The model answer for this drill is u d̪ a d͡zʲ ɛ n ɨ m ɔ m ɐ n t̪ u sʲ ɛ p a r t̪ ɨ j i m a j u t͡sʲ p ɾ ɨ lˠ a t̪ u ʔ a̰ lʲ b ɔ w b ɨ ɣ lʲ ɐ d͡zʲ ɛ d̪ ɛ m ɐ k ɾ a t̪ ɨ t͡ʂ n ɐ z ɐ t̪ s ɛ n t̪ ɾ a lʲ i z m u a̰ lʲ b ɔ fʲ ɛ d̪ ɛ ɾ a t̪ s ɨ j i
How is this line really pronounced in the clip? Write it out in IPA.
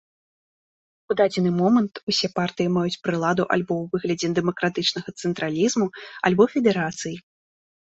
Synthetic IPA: u d̪ a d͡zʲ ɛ n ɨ m ɔ m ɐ n t̪ u sʲ ɛ p a r t̪ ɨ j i m a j u t͡sʲ p ɾ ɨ lˠ a d̪ u ʔ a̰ lʲ b ɔ w v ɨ ɣ lʲ ɐ d͡zʲ ɛ d̪ ɛ m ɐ k ɾ a t̪ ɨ t͡ʂ n ɐ ɣ ɐ t̪ s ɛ n t̪ ɾ a lʲ i z m u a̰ lʲ b ɔ fʲ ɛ d̪ ɛ ɾ a t̪ s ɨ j i